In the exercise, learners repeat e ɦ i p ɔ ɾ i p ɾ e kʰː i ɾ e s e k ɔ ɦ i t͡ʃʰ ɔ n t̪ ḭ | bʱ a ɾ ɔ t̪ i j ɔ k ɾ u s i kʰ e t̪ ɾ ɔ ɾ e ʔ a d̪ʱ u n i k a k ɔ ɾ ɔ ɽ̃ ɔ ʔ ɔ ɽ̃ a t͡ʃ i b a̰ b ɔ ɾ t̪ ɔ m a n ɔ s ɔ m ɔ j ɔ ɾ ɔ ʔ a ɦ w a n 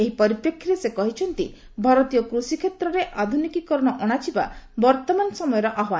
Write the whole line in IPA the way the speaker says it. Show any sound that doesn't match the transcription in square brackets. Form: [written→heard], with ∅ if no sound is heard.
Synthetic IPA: e ɦ i p ɔ ɾ i p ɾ e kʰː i ɾ e s e k ɔ ɦ i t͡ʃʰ ɔ n t̪ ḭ | bʱ a ɾ ɔ t̪ i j ɔ k ɾ u s i kʰ e t̪ ɾ ɔ ɾ e ʔ a d̪ʱ u n i k [a→i] k ɔ ɾ ɔ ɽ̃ ɔ ʔ ɔ ɽ̃ a t͡ʃ i b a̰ b ɔ ɾ t̪ ɔ m a n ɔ s ɔ m ɔ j ɔ ɾ ɔ ʔ a ɦ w a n